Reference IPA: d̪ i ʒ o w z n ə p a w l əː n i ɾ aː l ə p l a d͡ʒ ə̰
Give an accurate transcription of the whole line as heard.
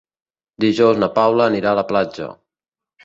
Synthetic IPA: d̪ i ʒ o w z n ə p a w l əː n i ɾ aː l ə p l a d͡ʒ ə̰